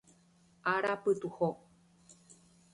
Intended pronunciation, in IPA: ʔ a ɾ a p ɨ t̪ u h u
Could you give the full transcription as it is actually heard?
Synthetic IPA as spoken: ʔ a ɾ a p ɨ t̪ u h o

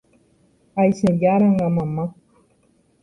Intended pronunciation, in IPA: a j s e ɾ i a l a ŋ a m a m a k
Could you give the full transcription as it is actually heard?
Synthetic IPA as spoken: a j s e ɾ j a ɾ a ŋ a m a m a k

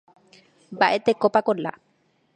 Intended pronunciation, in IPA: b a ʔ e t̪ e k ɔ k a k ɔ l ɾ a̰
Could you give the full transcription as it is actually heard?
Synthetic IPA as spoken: b a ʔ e t̪ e k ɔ p a k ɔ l l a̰

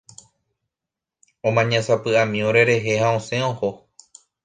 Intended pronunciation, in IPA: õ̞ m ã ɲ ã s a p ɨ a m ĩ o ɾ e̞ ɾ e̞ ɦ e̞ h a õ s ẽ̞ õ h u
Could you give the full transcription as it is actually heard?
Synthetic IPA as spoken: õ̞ m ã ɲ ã s a p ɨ a m ĩ o ɾ e̞ ɾ e̞ ɦ e̞ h a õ s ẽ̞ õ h o

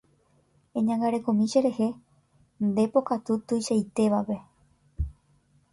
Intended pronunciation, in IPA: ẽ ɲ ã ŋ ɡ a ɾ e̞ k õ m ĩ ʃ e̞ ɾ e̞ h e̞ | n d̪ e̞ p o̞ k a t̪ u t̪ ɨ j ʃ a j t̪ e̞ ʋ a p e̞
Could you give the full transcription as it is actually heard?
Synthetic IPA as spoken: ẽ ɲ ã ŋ ɡ a ɾ e̞ k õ m ĩ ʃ e̞ ɾ e̞ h e̞ | n d̪ e̞ p o̞ k a t̪ u t̪ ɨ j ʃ a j t̪ e̞ ʋ a p e̞

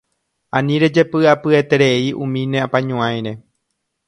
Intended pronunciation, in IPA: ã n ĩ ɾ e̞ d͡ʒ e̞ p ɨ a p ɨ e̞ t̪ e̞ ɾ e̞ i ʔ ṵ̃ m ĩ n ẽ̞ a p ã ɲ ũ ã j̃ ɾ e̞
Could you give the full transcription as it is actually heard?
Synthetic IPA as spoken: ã n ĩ ɾ e̞ d͡ʒ e̞ p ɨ a p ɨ e̞ t̪ e̞ ɾ e̞ i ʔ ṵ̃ m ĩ n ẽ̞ a p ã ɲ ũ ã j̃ ɾ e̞

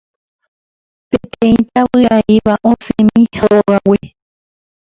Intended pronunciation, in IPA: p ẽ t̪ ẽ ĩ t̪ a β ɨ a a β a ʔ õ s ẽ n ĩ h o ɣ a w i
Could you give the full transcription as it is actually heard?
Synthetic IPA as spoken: p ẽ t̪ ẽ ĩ t̪ a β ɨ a i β a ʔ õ s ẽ m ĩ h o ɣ a w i

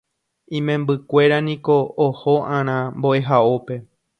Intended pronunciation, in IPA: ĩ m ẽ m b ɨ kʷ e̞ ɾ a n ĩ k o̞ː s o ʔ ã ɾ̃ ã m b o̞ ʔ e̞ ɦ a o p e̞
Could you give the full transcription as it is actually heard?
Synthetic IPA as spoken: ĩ m ẽ m b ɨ kʷ e̞ ɾ a n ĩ k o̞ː h o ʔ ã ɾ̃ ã m b o̞ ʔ e̞ ɦ a o p e̞

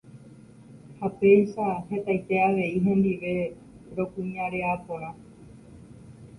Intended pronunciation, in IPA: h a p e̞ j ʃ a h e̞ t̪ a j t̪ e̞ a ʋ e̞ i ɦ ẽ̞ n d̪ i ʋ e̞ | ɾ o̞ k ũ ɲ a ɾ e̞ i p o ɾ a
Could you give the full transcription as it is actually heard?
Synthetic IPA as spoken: h a p e̞ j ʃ a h e̞ t̪ a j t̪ e̞ a ʋ e̞ i ɦ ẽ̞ n d̪ i ʋ e̞ | ɾ o̞ k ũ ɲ a ɾ e̞ a p o ɾ a

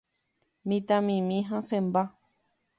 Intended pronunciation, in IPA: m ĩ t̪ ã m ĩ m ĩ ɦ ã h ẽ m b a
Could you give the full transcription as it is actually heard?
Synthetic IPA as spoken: m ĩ t̪ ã m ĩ m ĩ ɦ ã s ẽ m b a

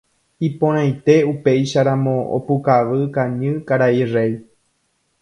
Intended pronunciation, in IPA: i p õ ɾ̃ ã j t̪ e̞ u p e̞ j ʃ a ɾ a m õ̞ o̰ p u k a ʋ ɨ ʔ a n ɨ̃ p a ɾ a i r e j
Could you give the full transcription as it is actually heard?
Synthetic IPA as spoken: i p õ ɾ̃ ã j t̪ e̞ u p e̞ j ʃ a ɾ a m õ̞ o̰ p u k a ʋ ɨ k a ɲ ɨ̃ k a ɾ a i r e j

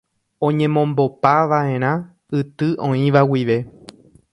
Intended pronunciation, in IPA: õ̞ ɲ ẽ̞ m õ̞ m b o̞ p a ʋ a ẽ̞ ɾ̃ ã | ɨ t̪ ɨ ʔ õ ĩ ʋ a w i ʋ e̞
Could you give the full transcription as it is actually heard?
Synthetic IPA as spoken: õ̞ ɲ ẽ̞ m õ̞ m b o̞ p a ʋ a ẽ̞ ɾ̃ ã | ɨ t̪ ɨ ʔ õ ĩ ʋ a w i ʋ e̞

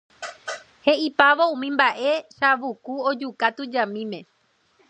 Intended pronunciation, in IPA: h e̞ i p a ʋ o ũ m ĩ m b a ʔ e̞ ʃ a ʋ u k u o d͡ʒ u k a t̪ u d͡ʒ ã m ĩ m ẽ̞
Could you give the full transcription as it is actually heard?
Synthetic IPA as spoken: h e̞ i p a ʋ o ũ m ĩ m b a ʔ e̞ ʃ a ʋ u k u o d͡ʒ u k a t̪ u d͡ʒ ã m ĩ m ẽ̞

